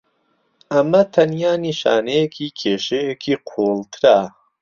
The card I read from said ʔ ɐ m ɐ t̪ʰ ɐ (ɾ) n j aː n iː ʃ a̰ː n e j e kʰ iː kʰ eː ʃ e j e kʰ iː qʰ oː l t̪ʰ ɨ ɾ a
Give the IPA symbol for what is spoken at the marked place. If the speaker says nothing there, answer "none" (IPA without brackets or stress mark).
none